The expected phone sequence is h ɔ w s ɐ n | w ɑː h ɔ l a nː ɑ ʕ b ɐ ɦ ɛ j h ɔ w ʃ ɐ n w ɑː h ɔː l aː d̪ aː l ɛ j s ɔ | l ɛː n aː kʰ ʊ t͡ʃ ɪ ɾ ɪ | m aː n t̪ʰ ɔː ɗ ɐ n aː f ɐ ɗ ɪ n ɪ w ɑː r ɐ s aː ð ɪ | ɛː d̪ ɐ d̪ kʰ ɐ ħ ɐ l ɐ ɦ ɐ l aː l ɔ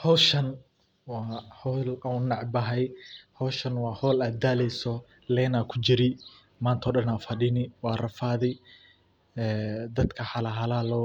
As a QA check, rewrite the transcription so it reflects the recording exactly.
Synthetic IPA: h ɔ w ʃ ɐ n | w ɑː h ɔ l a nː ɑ ʕ b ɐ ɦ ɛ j h ɔ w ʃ ɐ n w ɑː h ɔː l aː d̪ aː l ɛ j s ɔ | l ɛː n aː kʰ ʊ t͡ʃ ɪ ɾ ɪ | m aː n t̪ʰ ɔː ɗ ɐ n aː f ɐ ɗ ɪ n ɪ w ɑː r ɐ f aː ð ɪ | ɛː d̪ ɐ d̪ kʰ ɐ ħ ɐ l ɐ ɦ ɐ l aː l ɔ